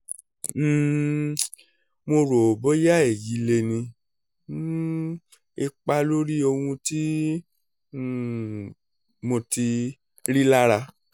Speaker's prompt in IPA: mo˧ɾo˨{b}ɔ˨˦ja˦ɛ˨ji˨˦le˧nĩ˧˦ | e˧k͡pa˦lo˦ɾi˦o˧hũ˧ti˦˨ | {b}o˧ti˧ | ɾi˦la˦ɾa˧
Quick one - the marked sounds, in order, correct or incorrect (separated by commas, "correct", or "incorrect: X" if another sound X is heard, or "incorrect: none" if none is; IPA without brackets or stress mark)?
correct, incorrect: m